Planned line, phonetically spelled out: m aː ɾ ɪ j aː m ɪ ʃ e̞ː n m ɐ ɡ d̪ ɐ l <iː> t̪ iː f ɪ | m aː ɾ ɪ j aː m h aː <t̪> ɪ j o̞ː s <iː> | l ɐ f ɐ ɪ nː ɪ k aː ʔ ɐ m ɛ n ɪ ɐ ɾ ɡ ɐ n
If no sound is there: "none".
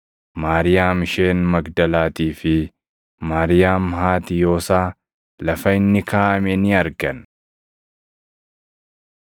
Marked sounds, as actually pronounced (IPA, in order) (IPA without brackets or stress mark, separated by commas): aː, t̪, aː